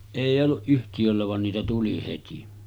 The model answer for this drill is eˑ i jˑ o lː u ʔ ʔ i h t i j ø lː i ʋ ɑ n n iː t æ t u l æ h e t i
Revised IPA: eˑ i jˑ o lː u ʔ ʔ y h t i j ø lː æ ʋ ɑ n n iː t æ t u l i h e t i

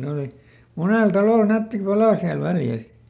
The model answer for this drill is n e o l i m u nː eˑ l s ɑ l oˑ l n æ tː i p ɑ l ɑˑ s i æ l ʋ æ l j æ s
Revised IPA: n e o l i m u n eˑ l t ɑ l oˑ l n æ tː i p ɑ l ɑˑ s i æ l ʋ æ l j æ s

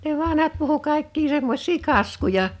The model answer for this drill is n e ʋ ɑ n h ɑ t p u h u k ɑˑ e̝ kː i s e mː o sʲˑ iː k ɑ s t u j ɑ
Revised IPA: n e ʋ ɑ n h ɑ t p u h u k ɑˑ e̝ kː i s e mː o sʲˑ iː k ɑ s k u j ɑ

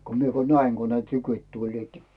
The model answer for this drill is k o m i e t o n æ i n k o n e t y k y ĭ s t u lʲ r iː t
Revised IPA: k o m i e k o n æ i ŋ k o n e t y k y ĭ t t u lʲ l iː t

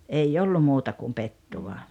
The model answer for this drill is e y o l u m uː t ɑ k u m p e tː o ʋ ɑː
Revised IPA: e i o lː u m uː t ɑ k u m p e tː u ʋ ɑ

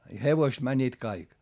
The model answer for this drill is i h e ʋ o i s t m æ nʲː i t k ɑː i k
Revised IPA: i h e ʋ o i s t m æ nʲː iː t k ɑ i k

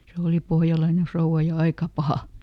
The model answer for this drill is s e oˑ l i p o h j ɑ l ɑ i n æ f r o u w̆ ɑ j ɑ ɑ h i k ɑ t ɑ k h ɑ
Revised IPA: s e oˑ l i p o h j ɑ l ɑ i n e f r o u w̆ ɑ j ɑ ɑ i k ɑ p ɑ h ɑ

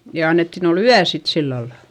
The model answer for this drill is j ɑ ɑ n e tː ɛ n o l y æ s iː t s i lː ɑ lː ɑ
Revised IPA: j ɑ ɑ nː e tː i n o l y æ s i t s i lː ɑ lː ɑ

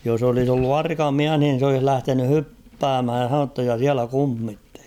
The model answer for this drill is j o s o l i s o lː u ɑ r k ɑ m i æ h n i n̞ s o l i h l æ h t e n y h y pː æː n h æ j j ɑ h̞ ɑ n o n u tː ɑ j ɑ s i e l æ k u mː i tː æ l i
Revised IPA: j o s o l i s o lː u ɑ r k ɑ m i æ h n i n̞ s o l i h l æ h t e n y h y pː æː m h æ j j ɑ h̞ ɑ n o n u tː ɑ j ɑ s i æ l æ k u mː i tː e l i

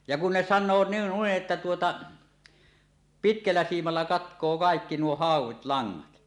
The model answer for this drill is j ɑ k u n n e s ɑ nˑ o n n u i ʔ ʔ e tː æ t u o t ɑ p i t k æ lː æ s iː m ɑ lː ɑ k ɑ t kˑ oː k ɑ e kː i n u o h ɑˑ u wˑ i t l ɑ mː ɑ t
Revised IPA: j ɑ k u n n e s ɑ nˑ oː n n u i ʔ ʔ e tː æ t u o t ɑ p i t k æ lː æ s iː m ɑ lː ɑ k ɑ t kˑ oː k ɑ e kː i n u o h ɑˑ u wˑ i t l ɑ ŋː ɑ t

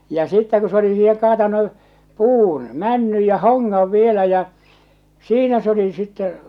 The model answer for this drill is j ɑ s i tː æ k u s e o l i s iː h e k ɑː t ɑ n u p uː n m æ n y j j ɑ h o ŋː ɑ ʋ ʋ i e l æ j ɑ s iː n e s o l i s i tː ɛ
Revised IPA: j ɑ s i tː æ k u s e o l i s iː h e k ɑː t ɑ n u p uː n m æ nː y j j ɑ h o ŋː ɑ ʋ ʋ i e l æ j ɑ s iː n æ s o l i s i tː ɛ

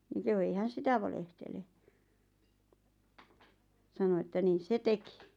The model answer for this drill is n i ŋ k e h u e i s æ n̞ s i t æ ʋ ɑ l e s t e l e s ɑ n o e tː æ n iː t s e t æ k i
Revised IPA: n i ŋ k e h u e i h æ n̞ s i t æ ʋ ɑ l e h t e l e s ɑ n o e tː æ n iː s s e t e k i

